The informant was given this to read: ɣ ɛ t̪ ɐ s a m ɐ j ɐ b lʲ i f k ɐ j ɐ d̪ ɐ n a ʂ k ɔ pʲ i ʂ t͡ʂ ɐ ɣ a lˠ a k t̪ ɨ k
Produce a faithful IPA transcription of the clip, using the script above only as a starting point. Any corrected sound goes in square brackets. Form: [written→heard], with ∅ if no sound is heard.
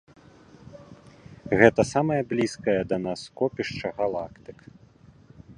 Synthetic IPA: ɣ ɛ t̪ ɐ s a m ɐ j ɐ b lʲ i [f→s] k ɐ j ɐ d̪ ɐ n a [ʂ→s] k ɔ pʲ i ʂ t͡ʂ ɐ ɣ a lˠ a k t̪ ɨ k